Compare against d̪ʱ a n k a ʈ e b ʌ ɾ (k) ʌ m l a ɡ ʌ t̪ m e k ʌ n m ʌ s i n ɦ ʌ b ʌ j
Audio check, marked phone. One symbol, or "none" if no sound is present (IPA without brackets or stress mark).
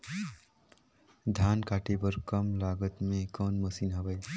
k